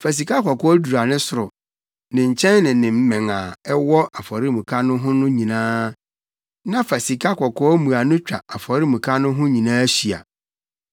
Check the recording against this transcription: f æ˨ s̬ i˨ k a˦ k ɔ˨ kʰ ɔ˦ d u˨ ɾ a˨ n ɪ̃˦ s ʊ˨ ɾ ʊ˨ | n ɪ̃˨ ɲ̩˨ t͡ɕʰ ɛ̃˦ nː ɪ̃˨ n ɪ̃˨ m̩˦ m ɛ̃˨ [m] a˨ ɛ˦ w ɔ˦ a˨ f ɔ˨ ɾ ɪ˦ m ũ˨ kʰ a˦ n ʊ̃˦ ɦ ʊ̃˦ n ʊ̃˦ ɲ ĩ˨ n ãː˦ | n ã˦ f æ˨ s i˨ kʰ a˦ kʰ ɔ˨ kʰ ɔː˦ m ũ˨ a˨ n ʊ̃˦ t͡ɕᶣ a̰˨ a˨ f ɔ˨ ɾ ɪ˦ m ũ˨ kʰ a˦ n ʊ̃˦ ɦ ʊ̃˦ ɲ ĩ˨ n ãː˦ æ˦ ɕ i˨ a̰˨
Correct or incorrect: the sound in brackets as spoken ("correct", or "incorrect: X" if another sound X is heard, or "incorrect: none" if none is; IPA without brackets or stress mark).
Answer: incorrect: ŋ